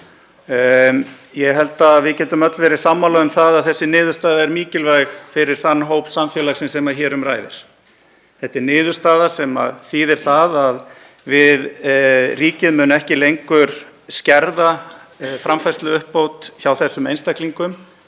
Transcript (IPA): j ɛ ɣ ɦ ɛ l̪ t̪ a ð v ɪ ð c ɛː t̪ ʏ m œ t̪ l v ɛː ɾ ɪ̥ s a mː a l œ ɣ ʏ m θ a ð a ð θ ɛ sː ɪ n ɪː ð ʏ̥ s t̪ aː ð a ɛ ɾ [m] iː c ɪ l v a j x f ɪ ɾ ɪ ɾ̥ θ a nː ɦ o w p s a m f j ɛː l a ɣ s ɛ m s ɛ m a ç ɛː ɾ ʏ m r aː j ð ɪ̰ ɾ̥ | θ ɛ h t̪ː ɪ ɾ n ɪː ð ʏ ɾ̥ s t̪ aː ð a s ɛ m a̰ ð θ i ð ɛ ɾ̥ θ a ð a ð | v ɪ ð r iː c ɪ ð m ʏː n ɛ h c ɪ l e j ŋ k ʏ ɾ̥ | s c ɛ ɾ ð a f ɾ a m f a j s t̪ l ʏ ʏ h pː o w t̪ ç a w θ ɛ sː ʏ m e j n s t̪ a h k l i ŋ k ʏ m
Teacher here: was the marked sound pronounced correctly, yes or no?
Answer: yes